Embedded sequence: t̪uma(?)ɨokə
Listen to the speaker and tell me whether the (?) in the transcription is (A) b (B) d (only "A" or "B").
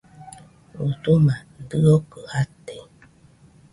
B